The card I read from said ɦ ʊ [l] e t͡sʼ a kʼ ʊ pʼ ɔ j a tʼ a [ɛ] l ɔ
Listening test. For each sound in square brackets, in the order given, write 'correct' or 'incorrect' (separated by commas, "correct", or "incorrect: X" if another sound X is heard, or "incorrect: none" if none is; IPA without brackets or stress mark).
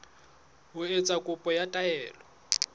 incorrect: none, incorrect: ɛː